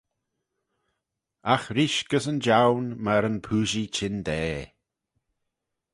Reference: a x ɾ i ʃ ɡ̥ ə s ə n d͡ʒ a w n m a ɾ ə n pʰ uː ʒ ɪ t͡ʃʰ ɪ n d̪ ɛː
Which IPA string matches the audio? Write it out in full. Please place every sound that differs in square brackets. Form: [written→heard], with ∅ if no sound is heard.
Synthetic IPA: a x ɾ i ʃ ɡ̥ ə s ə n d͡ʒ a w n m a ɾ ə n pʰ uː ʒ [ɪ→i] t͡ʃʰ ɪ n d̪ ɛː